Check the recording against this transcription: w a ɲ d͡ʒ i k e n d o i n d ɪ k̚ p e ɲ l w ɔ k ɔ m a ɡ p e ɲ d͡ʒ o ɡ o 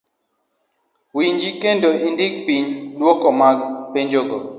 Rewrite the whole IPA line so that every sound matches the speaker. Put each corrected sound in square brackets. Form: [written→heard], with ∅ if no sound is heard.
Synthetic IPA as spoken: w [a→i] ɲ d͡ʒ i k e n d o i n d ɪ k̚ p [e→i] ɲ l w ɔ k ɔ m a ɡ p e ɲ d͡ʒ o ɡ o